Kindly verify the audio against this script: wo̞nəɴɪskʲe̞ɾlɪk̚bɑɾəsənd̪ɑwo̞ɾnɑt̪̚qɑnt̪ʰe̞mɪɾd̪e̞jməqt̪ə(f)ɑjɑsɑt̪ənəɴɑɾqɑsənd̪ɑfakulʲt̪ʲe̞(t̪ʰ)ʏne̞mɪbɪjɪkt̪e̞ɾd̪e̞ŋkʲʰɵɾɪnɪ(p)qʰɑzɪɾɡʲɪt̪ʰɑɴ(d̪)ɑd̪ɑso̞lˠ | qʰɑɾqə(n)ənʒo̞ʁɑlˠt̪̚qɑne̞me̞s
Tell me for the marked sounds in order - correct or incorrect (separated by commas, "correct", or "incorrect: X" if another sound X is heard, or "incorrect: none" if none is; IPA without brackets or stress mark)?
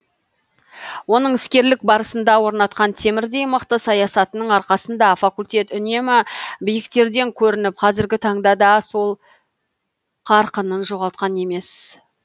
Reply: incorrect: s, incorrect: t̪, correct, correct, correct